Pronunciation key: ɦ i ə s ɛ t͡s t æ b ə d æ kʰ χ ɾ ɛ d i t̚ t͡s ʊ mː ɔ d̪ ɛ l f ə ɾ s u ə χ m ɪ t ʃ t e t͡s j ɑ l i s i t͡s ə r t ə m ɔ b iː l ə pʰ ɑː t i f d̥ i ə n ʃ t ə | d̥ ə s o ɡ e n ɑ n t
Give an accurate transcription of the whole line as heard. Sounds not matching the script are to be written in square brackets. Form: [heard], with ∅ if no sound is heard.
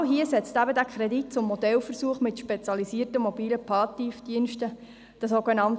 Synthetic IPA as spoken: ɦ i ə s ɛ t͡s t æ b ə d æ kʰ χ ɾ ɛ d i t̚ t͡s ʊ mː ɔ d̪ ɛ l f ə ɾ s u ə χ m ɪ t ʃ [p] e t͡s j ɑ l i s i [∅] ə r t ə m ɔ b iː l ə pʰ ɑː t i f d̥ i ə n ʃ t ə | d̥ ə s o ɡ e n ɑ n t